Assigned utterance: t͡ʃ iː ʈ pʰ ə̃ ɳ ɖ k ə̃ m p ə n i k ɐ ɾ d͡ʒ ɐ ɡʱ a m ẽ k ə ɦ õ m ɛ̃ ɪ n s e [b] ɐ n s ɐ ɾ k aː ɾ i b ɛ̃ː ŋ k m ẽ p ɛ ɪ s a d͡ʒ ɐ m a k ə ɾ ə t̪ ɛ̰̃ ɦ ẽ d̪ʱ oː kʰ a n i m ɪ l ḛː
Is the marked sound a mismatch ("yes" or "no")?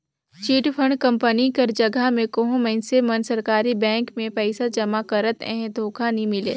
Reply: yes